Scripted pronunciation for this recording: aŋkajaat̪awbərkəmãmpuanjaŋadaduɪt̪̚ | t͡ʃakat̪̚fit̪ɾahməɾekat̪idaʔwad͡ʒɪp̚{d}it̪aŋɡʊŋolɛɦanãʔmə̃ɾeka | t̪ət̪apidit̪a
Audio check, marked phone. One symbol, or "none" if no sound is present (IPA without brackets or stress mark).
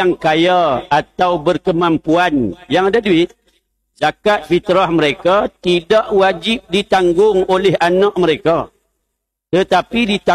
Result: d